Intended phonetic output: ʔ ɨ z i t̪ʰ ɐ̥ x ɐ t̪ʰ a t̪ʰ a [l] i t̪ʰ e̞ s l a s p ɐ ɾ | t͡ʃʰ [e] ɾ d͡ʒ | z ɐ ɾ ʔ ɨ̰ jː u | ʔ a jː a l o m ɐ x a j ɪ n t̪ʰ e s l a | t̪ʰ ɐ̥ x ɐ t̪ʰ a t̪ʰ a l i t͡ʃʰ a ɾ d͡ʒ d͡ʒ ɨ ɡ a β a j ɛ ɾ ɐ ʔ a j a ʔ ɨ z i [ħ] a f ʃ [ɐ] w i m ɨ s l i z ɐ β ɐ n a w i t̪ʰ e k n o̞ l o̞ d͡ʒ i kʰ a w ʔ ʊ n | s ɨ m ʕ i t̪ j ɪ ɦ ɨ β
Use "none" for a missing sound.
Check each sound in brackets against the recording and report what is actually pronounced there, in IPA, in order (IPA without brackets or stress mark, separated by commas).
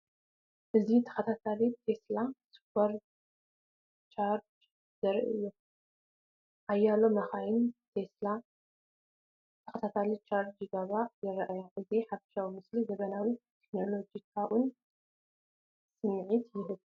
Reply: l, a, ħ, a